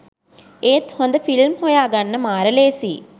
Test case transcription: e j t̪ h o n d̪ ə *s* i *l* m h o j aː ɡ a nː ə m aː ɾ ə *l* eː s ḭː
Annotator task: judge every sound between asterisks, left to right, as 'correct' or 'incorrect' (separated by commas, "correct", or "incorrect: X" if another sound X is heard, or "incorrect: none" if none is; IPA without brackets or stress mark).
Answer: incorrect: f, correct, correct